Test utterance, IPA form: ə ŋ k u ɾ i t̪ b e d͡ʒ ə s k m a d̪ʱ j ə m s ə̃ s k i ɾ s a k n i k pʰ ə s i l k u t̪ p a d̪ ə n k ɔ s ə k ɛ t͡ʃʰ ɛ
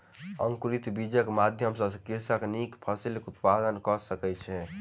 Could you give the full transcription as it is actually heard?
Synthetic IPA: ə ŋ k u ɾ i t̪ b i d͡ʒ ə k m a d̪ʱ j ə m s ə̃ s k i ɾ s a k n i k pʰ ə s i l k u t̪ p a d̪ ə n k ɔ s ə k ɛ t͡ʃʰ ɛ